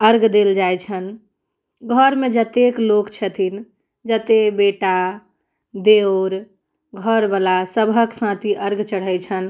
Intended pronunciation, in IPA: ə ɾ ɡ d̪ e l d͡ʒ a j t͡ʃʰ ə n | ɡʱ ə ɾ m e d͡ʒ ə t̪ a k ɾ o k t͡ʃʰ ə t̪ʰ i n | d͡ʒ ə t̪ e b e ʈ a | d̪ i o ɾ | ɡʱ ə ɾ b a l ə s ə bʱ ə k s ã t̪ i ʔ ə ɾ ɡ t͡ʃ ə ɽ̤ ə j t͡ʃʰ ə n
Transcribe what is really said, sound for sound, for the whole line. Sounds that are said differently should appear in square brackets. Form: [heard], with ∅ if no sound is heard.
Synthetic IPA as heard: ə ɾ ɡ d̪ e l d͡ʒ a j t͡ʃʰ ə n | ɡʱ ə ɾ m e d͡ʒ ə t̪ [e] k [l] o k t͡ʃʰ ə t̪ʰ i n | d͡ʒ ə t̪ e b e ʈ a | d̪ [e] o ɾ | ɡʱ ə ɾ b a l [a] s ə bʱ ə k s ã t̪ i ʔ ə ɾ ɡ t͡ʃ ə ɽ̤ ə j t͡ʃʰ ə n